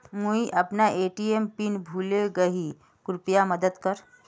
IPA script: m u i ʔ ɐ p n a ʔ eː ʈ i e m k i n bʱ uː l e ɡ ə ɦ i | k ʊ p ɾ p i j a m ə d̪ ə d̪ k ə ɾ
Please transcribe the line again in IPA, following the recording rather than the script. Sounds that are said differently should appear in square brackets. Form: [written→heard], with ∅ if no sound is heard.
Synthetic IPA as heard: m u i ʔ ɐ p n a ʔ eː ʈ i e m [k→p] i n bʱ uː l e ɡ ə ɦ i | k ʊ [p→∅] ɾ p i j a m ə d̪ ə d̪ k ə ɾ